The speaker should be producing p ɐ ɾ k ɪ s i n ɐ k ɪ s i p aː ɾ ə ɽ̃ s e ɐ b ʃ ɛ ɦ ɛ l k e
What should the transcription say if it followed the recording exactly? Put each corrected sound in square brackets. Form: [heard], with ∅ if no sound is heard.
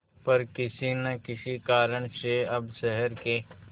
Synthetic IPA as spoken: p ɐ ɾ k ɪ s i n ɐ k ɪ s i [k] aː ɾ ə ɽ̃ s e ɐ b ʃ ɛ ɦ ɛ [ɾ] k e